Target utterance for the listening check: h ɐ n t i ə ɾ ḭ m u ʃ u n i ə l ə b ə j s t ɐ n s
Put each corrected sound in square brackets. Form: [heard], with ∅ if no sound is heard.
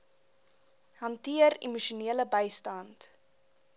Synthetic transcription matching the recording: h ɐ n t i ə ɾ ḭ m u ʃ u n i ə l ə b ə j s t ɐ n [t]